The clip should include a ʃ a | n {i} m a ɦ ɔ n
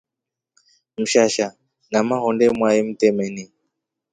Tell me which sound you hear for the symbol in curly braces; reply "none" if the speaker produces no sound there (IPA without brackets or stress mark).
a